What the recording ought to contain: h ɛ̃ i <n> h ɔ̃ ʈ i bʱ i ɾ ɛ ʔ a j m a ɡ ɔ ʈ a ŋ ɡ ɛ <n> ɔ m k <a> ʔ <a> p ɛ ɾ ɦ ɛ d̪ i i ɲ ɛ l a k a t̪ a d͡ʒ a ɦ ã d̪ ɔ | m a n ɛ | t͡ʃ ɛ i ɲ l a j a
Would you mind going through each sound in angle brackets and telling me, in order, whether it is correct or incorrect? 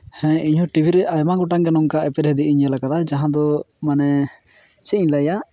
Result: incorrect: ɲ, correct, correct, incorrect: ɛ

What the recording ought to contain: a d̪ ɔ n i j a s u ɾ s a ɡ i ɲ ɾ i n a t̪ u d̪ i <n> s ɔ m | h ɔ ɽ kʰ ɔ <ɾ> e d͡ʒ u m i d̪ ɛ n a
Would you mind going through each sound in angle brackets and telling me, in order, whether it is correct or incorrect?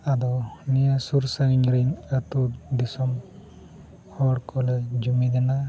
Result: incorrect: none, incorrect: l

